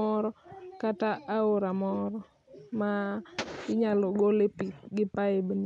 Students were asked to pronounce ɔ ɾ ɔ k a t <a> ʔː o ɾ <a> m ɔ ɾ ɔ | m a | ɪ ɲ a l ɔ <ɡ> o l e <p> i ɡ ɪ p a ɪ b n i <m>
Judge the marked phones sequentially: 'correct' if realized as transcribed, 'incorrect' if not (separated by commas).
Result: correct, correct, correct, correct, incorrect